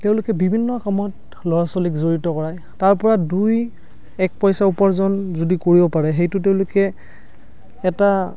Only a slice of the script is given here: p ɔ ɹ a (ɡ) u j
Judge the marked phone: incorrect: d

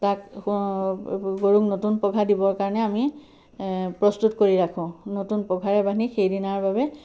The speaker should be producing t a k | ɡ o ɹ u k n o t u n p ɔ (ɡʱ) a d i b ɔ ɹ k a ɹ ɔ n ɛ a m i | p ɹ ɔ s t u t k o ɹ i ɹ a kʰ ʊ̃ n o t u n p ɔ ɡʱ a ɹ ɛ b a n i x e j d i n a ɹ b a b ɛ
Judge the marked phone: correct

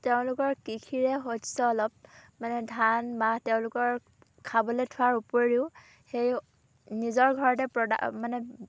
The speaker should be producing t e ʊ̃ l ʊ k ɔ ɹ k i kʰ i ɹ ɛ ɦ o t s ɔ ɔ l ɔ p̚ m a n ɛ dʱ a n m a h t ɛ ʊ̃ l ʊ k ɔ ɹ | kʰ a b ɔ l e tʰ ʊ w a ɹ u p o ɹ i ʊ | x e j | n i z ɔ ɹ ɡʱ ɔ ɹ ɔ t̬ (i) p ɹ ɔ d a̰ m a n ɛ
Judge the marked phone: incorrect: ɛ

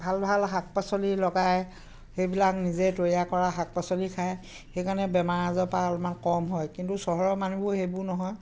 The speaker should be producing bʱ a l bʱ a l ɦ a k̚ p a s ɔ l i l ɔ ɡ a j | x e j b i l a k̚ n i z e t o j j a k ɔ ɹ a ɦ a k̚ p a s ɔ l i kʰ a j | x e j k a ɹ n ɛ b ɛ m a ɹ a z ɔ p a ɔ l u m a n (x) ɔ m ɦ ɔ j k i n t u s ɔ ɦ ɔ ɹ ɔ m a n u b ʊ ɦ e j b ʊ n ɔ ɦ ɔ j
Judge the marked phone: incorrect: k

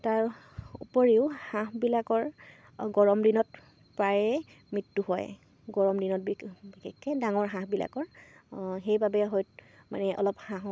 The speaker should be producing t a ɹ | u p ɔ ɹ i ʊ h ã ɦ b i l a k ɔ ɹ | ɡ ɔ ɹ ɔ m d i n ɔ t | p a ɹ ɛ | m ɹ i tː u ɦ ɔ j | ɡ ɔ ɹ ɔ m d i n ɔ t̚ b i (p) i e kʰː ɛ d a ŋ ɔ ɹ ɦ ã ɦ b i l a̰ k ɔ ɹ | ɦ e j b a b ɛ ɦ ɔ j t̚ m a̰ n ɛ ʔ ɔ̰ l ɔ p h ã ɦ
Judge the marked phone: incorrect: b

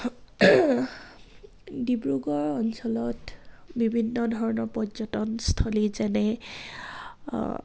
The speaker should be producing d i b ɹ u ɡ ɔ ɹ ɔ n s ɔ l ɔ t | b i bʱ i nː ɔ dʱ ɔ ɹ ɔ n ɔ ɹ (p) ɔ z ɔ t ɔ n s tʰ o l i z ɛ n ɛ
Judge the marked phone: correct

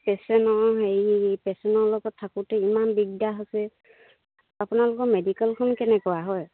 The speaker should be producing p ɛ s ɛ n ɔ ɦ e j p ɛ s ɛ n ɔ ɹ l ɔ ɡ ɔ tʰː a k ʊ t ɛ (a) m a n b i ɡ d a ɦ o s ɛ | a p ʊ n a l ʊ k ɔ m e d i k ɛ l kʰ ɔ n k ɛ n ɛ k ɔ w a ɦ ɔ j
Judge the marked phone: incorrect: i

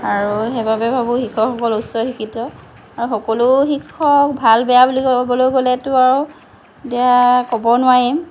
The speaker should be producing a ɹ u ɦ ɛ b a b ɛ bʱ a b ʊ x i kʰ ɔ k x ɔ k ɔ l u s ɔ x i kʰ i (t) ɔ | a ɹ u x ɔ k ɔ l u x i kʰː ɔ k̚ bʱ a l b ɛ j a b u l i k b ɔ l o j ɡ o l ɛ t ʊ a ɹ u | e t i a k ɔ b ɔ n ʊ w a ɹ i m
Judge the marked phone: correct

